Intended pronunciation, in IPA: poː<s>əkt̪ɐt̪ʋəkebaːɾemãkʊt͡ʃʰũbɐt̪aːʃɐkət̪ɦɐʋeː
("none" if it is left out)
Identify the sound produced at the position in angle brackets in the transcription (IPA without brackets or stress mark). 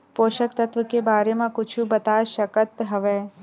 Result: ʃ